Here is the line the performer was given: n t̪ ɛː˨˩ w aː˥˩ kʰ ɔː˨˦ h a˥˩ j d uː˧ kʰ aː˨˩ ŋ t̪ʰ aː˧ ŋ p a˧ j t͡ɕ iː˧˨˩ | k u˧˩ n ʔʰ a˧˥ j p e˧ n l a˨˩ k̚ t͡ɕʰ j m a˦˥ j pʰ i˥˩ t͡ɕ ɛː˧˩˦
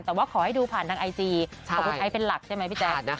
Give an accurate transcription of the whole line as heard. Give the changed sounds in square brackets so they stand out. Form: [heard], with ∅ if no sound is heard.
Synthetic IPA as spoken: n t̪ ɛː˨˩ w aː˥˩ kʰ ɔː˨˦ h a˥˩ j d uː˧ [pʰ] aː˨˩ [n] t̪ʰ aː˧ ŋ [ʔ] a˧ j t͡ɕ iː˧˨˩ | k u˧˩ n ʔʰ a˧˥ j p e˧ n l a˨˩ k̚ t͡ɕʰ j m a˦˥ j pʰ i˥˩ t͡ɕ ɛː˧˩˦